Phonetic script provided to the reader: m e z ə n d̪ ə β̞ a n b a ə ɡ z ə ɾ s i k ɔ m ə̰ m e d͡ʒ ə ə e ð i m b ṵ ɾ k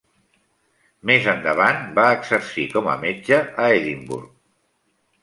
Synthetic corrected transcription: m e z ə n d̪ ə β̞ a n b a ə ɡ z ə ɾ s i k ɔ m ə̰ m e d͡ʒ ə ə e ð i m b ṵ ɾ k